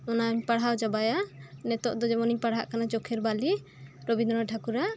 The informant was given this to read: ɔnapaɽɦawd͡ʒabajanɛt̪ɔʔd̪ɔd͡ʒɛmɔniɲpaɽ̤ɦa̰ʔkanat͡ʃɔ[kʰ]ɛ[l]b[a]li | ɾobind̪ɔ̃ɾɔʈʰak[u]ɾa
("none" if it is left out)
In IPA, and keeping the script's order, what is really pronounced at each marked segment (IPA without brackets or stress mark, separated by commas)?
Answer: kʰ, ɾ, a, u